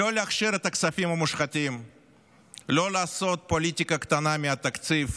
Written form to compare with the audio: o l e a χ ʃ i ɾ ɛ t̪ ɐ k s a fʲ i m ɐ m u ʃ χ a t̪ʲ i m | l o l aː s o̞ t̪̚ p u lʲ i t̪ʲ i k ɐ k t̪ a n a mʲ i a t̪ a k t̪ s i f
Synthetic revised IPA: o l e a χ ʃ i ɾ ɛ t̪ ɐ k s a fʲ i m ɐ m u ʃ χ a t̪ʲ i m | l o l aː s o̞ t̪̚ p o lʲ i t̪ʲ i k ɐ k t̪ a n a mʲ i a t̪ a k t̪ s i f